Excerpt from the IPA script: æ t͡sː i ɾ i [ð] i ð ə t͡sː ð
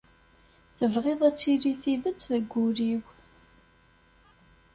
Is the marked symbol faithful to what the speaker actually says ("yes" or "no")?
no